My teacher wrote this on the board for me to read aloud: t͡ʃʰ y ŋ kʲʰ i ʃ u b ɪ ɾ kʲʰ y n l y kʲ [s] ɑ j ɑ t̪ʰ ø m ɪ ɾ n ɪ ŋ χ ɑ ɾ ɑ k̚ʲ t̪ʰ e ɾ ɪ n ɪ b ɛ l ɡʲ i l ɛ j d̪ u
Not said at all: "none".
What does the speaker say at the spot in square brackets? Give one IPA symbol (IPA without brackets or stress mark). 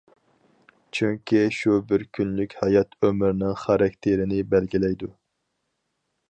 h